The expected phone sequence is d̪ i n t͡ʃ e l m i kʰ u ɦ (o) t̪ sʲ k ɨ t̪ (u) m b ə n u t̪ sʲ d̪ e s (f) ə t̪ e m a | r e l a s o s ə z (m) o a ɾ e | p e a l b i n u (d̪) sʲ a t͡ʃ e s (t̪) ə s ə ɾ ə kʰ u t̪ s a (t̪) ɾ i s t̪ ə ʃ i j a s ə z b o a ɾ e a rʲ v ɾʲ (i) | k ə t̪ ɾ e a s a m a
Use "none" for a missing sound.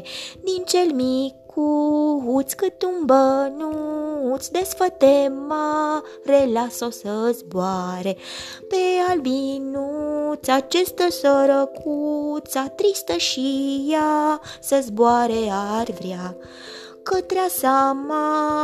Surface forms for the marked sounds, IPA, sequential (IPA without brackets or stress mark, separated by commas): u, u, f, b, t̪, t̪, t̪, a